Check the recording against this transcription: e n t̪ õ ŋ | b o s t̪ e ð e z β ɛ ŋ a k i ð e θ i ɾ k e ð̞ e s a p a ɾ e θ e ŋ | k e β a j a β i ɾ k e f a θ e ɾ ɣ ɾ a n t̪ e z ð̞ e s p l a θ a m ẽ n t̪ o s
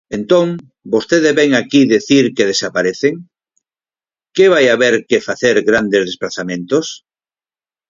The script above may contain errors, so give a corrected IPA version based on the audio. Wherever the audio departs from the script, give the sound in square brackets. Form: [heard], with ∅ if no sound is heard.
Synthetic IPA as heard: e n t̪ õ ŋ | b o s t̪ e ð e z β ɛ ŋ a k i ð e θ i ɾ k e ð̞ e s a p a ɾ e θ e ŋ | k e β a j a β [e] ɾ k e f a θ e ɾ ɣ ɾ a n [d̪] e z ð̞ e s p l a θ a m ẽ n t̪ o s